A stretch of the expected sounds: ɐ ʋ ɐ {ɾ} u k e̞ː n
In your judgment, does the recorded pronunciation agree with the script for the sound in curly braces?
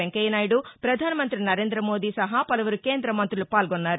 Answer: yes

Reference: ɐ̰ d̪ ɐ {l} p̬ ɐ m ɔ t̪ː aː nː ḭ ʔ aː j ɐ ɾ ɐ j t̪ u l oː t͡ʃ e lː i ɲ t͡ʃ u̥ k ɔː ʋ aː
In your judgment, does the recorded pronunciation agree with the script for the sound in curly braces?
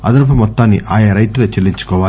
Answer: no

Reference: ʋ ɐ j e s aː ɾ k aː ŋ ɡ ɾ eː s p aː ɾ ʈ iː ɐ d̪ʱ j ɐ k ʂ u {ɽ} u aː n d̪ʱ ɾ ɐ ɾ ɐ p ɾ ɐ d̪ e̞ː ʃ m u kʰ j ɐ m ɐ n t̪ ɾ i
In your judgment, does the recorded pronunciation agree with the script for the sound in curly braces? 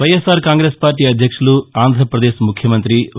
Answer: no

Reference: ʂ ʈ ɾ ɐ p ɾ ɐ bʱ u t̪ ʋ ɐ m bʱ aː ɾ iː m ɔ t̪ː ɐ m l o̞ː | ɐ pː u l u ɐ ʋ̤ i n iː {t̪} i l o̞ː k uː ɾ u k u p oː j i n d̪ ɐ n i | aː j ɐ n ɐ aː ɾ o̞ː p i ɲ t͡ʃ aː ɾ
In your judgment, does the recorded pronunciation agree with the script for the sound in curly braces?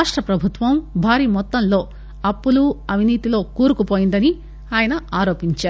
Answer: yes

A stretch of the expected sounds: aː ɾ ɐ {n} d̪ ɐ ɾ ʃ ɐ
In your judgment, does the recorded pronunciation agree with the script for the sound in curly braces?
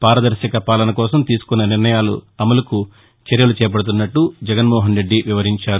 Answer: no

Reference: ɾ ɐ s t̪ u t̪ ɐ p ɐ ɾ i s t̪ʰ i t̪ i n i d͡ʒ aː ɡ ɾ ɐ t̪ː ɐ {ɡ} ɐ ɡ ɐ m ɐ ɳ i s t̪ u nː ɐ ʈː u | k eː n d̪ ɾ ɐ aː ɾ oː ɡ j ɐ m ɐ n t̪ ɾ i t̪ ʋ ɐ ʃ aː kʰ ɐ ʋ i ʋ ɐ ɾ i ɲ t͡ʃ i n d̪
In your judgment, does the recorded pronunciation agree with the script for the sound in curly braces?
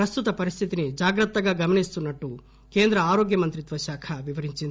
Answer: yes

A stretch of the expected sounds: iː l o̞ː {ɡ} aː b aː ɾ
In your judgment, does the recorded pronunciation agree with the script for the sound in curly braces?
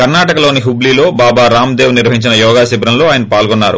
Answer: no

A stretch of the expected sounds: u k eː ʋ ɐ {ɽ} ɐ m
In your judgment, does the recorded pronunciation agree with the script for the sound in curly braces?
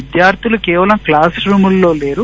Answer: no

